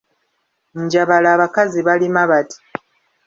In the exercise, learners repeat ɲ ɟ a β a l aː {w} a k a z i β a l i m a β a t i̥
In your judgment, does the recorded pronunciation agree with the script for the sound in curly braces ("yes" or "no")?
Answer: no